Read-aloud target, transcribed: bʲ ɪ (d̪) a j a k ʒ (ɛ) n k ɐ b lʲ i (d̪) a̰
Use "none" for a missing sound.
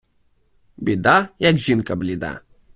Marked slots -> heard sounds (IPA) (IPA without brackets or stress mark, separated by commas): d̪, i, d̪